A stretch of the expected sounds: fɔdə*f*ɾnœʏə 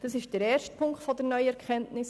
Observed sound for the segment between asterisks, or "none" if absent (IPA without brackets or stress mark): none